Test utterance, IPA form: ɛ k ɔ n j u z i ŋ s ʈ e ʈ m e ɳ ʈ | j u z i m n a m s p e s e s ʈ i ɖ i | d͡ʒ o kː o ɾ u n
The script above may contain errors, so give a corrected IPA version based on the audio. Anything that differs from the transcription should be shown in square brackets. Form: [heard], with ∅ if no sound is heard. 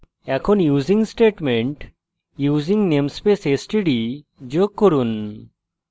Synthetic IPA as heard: ɛ [kʰ] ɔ n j u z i ŋ s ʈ e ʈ m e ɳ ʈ | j u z i [ŋ] n [e] m s p e s e s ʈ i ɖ i | d͡ʒ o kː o ɾ u n